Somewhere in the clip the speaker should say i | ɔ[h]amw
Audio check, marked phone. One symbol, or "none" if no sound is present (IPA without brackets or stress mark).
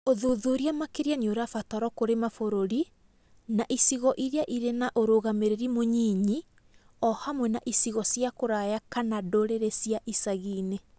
h